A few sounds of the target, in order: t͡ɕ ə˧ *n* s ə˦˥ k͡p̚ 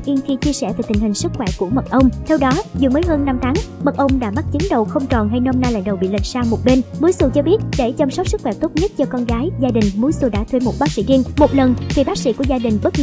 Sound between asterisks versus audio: incorrect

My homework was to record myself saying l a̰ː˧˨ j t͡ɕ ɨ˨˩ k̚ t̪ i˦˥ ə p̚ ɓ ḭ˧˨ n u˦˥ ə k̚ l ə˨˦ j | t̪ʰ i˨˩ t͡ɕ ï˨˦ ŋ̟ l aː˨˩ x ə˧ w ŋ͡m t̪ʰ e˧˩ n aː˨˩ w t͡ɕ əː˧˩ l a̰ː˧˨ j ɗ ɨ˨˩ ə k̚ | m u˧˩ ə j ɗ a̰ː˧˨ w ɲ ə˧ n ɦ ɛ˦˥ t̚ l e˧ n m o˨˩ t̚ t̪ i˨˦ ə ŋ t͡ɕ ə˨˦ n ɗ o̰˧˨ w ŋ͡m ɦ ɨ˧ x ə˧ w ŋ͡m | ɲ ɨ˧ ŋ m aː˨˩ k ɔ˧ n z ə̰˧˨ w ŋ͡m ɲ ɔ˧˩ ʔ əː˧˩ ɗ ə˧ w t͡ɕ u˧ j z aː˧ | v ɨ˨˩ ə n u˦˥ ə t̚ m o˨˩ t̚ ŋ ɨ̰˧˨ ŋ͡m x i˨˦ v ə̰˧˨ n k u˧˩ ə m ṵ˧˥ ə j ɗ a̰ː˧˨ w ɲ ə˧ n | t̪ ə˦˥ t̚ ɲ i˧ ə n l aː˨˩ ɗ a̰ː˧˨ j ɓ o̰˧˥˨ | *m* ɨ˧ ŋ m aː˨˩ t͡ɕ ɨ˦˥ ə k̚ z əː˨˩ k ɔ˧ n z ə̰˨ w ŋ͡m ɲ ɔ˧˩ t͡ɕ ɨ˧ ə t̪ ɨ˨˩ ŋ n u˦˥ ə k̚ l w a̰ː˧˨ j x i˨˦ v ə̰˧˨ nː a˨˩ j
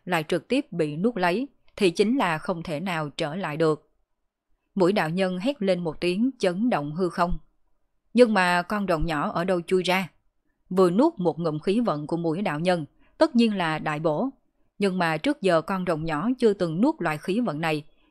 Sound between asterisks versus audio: incorrect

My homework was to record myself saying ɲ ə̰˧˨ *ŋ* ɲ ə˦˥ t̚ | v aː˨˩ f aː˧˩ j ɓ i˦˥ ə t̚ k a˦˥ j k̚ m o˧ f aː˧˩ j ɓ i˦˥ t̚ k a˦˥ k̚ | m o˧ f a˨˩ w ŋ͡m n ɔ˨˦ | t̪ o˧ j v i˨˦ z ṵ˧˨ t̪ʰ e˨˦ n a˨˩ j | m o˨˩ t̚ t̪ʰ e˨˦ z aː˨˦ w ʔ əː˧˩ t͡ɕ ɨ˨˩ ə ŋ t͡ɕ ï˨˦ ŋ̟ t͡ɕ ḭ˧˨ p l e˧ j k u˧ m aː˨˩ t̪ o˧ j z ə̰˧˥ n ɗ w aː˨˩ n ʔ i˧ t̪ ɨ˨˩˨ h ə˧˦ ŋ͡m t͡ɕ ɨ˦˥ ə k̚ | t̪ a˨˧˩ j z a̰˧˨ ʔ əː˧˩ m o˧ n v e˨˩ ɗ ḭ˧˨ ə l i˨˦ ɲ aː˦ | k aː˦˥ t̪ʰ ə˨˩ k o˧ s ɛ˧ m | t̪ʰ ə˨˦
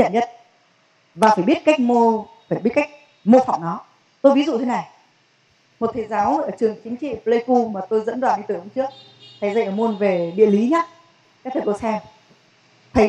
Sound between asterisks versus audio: incorrect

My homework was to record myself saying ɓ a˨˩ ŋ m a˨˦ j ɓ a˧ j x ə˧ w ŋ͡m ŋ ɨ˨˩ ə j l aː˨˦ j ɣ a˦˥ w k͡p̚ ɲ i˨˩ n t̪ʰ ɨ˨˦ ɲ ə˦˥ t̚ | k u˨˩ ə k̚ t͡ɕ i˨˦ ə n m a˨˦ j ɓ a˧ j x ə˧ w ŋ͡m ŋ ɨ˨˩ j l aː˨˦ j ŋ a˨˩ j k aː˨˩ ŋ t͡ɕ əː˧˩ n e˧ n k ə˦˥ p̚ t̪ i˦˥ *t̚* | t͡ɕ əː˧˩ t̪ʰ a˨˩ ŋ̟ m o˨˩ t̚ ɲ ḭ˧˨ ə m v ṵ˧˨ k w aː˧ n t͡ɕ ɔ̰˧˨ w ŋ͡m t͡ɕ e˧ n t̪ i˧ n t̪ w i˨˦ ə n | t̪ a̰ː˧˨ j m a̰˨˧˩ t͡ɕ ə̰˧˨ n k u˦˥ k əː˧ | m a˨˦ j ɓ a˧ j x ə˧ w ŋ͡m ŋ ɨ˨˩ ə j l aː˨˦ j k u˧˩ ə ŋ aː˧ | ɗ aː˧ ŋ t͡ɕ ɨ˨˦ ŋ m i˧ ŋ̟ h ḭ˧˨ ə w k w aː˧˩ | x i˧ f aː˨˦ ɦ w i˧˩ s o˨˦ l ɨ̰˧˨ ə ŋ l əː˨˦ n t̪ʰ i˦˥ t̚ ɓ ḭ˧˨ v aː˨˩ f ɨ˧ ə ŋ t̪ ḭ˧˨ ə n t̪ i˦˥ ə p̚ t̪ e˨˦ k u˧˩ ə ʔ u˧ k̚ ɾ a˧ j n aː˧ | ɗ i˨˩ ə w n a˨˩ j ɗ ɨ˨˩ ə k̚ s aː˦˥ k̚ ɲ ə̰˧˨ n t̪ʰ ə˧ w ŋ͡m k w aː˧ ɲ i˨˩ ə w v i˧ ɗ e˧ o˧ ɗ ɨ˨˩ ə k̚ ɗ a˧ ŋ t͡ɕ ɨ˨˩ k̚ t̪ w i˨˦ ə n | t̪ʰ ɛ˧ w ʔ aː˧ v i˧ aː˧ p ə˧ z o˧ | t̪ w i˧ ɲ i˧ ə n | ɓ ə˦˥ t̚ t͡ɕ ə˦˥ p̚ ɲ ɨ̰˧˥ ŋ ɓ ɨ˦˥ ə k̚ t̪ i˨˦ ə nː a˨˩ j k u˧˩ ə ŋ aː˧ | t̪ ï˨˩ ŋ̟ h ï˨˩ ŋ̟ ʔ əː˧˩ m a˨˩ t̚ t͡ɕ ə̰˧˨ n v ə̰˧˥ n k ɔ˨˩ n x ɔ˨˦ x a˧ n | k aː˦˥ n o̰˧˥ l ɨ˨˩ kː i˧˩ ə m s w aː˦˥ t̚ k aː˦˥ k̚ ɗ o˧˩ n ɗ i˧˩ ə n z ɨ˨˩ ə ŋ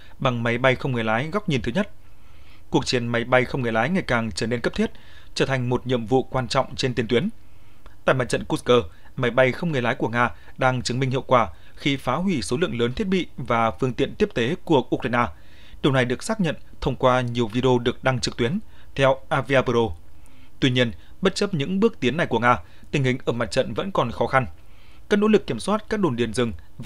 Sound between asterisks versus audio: correct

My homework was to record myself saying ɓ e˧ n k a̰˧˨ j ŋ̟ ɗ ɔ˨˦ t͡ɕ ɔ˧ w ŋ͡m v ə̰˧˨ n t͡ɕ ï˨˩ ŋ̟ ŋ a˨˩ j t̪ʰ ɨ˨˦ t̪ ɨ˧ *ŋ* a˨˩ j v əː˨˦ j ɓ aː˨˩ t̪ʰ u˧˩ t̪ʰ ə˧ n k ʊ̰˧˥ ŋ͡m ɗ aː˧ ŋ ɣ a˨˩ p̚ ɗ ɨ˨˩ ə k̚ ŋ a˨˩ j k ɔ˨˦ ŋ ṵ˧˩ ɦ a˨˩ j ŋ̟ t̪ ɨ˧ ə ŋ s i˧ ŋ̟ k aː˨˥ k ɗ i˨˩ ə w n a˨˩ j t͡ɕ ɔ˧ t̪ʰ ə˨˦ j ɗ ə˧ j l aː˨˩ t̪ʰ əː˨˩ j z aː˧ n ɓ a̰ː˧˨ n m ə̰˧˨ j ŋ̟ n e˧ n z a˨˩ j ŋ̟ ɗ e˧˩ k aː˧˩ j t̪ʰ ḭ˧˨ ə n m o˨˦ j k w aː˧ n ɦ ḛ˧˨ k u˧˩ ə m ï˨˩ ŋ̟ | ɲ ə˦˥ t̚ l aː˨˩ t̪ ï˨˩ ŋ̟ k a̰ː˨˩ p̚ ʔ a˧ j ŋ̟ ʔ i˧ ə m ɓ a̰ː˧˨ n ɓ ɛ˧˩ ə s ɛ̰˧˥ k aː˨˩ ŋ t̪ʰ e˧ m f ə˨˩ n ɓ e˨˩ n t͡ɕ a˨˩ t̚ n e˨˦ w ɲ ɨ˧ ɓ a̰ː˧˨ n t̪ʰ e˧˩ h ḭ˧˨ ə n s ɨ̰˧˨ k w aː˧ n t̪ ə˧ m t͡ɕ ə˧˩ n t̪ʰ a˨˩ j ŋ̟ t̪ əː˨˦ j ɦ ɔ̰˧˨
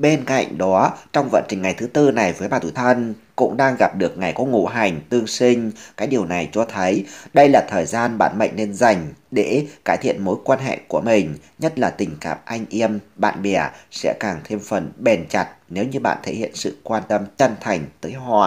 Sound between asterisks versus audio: incorrect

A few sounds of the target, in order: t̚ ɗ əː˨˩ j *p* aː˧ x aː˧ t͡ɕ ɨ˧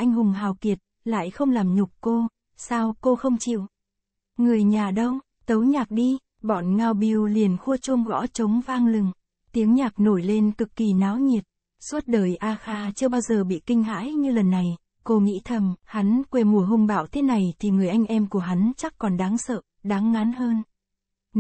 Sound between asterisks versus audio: incorrect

